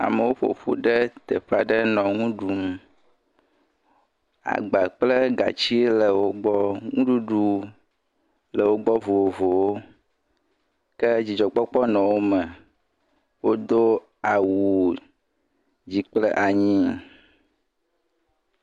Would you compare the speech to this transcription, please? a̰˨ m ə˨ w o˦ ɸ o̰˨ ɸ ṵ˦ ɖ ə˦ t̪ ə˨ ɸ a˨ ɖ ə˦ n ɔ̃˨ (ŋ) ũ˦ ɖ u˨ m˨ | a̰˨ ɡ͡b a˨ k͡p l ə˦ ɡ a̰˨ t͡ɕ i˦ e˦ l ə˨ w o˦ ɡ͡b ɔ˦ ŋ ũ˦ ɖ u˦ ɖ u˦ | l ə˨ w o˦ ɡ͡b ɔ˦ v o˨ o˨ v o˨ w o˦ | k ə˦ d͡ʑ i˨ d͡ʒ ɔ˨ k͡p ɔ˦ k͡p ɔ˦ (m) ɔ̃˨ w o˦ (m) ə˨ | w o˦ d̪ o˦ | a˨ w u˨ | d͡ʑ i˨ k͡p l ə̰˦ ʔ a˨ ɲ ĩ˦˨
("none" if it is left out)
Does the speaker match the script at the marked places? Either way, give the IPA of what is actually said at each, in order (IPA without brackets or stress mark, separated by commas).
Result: ŋ, n, m